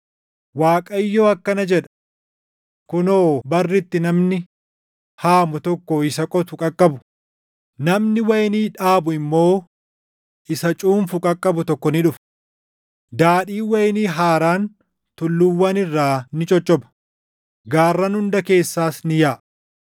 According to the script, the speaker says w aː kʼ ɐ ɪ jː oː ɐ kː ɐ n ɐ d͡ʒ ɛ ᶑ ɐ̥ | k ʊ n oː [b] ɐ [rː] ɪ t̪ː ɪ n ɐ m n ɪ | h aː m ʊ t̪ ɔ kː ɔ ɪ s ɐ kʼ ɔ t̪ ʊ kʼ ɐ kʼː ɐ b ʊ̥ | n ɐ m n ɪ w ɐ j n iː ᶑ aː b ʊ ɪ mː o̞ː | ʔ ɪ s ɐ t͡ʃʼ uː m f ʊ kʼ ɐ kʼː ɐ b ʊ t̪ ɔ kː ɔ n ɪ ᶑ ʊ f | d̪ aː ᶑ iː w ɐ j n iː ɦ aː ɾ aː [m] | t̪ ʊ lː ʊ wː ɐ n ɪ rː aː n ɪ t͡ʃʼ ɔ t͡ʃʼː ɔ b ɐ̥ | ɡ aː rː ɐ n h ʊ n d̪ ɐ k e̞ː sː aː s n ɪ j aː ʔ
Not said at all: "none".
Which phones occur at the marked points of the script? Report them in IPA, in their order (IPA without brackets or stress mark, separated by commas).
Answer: b, rː, n